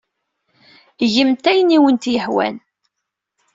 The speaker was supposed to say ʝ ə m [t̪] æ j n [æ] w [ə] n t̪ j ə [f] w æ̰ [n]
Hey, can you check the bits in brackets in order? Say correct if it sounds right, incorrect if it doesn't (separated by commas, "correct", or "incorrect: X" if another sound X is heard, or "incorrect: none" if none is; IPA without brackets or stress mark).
correct, incorrect: i, correct, incorrect: ħ, correct